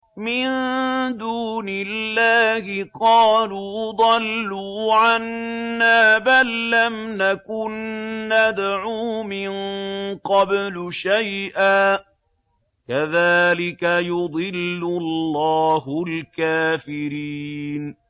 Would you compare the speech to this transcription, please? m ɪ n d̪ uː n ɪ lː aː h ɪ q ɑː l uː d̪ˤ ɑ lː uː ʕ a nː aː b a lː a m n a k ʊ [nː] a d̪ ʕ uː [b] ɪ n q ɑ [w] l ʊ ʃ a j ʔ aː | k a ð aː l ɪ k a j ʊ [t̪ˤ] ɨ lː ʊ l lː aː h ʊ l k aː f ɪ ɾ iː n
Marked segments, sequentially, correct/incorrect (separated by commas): correct, incorrect, incorrect, incorrect